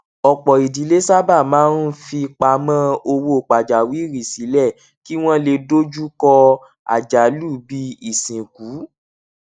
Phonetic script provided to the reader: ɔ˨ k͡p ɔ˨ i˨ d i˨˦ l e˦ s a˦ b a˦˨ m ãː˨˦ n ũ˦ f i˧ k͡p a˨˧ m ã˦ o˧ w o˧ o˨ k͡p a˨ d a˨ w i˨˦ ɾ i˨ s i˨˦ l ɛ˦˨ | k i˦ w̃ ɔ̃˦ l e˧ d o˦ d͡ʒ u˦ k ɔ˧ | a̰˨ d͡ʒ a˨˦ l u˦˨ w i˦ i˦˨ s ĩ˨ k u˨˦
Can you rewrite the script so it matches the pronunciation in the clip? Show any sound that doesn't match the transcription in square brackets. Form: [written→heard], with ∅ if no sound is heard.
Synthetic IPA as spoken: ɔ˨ k͡p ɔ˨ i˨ d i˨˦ l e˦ s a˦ b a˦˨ m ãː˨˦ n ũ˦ f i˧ k͡p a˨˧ m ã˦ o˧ w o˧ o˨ k͡p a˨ [d→d͡ʒ] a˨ w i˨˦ ɾ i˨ s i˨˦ l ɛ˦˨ | k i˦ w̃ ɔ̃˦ l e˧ d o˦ d͡ʒ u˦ k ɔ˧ | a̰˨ d͡ʒ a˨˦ l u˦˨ [w→b] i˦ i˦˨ s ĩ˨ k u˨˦